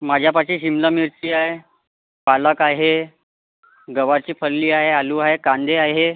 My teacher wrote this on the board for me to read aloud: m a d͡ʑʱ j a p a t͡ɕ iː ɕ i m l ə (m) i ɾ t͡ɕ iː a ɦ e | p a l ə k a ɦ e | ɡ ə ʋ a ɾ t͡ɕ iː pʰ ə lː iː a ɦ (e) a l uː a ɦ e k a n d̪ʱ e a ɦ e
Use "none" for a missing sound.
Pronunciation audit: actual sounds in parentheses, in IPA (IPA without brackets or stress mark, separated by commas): m, e